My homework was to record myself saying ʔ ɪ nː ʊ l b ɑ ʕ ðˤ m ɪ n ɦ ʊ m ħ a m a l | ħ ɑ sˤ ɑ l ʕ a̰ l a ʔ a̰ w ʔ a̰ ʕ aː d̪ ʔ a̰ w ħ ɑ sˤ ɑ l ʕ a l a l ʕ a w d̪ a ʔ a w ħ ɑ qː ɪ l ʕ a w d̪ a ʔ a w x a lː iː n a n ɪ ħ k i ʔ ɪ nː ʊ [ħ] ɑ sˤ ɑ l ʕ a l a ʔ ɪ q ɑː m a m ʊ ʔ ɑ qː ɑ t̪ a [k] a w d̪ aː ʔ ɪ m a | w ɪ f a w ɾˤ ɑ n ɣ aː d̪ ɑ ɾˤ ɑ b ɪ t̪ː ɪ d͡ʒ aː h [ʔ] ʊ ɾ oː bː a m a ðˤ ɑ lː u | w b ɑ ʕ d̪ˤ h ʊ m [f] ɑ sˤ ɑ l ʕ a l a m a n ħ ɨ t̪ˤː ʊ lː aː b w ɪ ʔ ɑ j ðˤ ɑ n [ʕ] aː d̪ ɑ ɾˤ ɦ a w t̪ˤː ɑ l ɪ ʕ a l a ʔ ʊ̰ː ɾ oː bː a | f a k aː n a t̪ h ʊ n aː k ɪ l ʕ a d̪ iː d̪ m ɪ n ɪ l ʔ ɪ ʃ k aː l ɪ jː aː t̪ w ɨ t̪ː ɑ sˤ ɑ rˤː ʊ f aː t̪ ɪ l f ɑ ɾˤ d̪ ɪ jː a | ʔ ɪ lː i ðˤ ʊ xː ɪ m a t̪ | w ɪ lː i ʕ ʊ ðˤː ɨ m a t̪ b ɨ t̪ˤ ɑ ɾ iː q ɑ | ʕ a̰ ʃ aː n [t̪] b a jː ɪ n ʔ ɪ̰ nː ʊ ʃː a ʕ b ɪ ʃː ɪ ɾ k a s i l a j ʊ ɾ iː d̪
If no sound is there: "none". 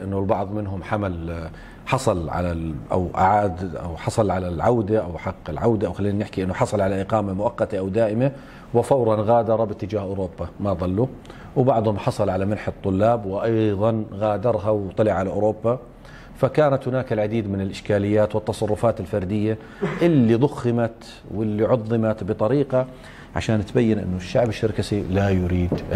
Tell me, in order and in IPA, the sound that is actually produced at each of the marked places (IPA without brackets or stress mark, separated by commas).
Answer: ħ, ʔ, ʔ, ħ, ɣ, t̪